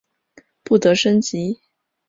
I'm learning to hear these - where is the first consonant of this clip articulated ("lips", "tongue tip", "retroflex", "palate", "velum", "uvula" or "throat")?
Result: lips